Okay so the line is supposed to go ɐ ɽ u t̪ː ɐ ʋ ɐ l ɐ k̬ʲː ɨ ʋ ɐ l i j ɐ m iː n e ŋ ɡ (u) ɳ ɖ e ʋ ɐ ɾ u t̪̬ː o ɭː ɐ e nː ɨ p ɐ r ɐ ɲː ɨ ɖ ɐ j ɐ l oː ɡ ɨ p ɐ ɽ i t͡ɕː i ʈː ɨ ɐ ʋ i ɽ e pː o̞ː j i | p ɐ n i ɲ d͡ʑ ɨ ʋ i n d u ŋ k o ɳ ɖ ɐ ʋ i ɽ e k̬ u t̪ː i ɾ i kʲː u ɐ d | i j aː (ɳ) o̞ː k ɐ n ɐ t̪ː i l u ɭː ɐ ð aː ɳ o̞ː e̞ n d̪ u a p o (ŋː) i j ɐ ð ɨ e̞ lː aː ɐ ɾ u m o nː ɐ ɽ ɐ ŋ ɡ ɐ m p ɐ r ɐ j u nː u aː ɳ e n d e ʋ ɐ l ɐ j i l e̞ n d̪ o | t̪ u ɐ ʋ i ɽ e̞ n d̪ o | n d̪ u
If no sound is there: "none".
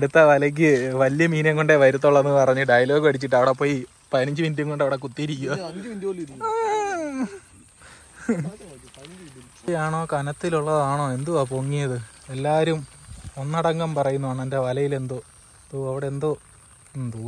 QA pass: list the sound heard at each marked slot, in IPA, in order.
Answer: o, ɳ, ŋː

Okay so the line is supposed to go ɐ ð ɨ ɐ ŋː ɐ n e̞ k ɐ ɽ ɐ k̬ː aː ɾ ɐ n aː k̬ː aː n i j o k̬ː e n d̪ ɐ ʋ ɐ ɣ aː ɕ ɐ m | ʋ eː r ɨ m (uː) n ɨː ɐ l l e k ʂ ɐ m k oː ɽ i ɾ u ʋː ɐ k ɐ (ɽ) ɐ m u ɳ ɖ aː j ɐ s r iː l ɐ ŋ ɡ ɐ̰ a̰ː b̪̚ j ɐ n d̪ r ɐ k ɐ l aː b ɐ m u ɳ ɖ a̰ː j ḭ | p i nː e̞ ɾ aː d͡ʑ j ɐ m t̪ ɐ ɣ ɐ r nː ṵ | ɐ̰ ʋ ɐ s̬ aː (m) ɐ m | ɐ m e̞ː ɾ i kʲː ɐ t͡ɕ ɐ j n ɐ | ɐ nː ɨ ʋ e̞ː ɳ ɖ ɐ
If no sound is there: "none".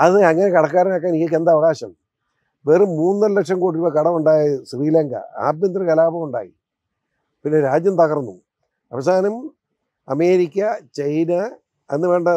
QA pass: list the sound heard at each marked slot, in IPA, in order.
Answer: uː, ɽ, n

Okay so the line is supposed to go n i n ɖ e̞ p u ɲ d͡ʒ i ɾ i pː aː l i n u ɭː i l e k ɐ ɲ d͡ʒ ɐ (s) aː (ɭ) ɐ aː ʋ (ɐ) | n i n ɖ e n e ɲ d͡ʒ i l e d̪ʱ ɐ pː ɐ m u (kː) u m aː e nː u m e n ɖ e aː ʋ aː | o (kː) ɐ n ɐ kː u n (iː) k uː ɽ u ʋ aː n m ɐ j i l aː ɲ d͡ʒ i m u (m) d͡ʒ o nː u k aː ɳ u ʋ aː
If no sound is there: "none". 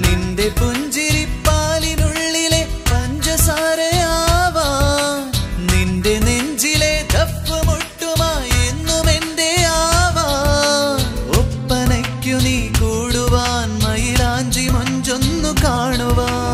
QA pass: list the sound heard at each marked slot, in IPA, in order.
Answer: s, ɾ, a, ʈː, pː, iː, ɲ

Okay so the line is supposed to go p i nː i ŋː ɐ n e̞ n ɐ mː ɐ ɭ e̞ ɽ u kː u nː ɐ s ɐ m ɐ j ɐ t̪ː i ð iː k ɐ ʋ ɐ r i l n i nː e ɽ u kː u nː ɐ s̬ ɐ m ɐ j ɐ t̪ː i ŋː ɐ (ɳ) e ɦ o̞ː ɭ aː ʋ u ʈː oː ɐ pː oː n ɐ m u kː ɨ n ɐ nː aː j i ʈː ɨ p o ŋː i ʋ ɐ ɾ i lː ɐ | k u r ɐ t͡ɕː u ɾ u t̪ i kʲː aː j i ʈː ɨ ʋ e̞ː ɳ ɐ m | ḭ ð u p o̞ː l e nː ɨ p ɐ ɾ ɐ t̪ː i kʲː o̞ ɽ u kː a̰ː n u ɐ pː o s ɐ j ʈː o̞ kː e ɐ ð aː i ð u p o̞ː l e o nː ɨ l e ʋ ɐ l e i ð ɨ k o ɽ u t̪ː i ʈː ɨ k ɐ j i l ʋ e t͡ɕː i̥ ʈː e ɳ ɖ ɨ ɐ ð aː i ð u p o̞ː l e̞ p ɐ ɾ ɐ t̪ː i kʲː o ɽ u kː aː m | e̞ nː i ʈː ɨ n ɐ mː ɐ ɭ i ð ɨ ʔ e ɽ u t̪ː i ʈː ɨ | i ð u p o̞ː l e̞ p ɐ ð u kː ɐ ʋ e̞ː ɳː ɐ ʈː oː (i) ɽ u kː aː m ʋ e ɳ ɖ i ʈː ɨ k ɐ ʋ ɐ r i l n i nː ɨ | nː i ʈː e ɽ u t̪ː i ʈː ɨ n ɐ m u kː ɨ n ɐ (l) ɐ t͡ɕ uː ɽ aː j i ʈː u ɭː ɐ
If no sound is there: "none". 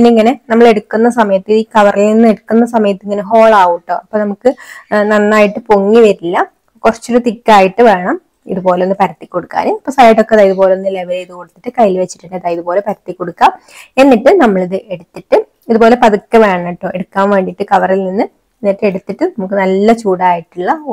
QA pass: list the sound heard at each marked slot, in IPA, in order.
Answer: n, e, lː

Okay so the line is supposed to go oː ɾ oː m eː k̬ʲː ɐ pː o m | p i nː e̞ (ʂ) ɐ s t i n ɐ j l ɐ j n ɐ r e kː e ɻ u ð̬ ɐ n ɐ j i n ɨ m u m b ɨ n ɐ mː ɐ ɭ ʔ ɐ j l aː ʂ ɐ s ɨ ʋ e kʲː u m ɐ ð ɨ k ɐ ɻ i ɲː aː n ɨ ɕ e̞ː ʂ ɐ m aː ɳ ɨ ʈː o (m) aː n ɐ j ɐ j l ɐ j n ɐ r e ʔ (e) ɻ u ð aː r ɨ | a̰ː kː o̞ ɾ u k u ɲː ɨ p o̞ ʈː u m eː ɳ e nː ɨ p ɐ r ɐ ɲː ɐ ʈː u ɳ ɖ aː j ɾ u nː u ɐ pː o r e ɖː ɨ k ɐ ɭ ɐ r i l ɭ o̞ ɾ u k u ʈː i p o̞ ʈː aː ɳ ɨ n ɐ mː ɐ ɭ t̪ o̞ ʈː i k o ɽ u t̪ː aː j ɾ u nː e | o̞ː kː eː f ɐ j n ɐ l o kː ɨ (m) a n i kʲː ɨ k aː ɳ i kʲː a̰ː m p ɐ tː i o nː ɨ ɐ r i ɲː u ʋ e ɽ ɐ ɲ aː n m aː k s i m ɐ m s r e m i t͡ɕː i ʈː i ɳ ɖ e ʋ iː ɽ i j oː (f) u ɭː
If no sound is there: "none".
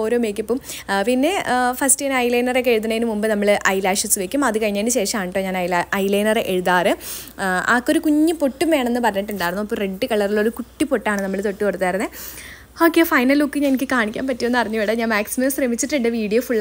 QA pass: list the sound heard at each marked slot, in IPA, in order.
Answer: f, ɲ, e, ɲ, f

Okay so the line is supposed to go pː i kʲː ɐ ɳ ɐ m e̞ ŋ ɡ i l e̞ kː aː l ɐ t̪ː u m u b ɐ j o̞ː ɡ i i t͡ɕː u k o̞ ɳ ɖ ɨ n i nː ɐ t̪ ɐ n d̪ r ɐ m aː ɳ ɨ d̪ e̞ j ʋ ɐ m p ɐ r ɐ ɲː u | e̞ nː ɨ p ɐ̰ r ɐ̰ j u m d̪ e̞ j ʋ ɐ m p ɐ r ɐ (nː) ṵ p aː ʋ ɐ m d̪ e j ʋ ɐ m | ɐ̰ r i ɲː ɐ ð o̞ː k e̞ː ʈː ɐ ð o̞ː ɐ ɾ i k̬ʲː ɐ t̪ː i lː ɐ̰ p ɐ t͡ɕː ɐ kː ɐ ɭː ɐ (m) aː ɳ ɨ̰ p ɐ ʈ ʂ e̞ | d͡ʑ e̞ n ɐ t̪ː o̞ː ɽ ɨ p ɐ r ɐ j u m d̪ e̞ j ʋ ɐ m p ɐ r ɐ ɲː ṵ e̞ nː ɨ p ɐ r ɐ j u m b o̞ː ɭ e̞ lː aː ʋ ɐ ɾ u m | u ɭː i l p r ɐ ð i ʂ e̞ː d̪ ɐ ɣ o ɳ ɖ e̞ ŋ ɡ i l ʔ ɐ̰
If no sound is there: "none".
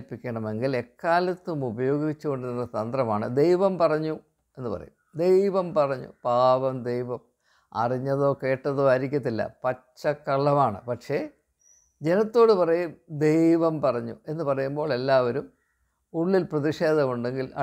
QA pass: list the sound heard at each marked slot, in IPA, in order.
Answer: ɲː, m

